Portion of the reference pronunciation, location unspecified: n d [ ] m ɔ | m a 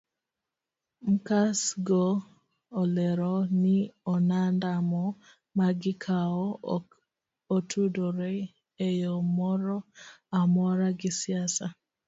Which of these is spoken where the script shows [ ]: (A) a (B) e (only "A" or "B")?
A